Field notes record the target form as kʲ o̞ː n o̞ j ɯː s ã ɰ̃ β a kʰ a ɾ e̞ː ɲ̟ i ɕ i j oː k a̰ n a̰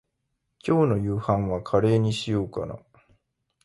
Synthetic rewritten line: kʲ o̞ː n o̞ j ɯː h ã ɰ̃ β a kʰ a ɾ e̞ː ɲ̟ i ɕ i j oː k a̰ n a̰